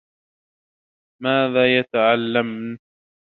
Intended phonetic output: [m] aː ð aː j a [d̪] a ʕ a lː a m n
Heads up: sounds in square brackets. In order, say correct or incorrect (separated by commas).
correct, incorrect